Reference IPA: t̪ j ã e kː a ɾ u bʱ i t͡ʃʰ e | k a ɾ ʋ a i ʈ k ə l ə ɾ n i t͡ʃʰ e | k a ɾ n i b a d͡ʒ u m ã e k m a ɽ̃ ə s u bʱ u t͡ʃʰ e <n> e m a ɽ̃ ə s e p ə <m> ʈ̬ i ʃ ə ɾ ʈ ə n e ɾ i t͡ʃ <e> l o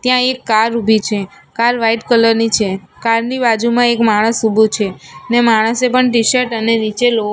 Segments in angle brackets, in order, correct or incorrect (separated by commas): correct, incorrect, correct